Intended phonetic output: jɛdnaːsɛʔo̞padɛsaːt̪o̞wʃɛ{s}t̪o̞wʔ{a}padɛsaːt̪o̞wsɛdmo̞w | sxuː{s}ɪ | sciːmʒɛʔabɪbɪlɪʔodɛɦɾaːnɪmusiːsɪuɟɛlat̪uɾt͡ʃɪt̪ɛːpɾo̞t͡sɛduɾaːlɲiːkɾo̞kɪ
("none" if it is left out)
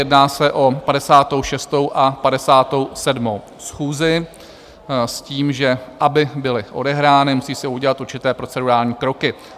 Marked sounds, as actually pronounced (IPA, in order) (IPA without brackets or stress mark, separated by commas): s, a, z